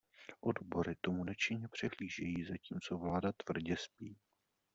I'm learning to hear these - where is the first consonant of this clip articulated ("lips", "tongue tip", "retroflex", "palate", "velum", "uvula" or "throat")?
throat